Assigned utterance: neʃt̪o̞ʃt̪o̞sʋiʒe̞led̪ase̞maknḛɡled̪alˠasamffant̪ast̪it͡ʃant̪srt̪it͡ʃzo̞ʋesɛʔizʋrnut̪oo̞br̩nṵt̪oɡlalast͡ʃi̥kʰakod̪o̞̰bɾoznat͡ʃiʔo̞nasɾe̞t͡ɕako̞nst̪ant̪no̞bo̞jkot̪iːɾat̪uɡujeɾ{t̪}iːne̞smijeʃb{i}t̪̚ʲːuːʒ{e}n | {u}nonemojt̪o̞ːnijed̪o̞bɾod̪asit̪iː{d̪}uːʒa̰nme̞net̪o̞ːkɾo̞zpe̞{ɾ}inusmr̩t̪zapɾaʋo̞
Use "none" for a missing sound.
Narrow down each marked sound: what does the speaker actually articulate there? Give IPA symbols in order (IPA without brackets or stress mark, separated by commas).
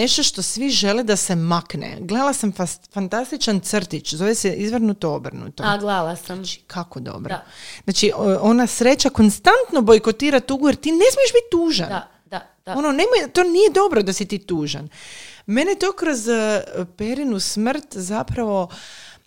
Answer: t̪, i, a, o, t̪, ɾ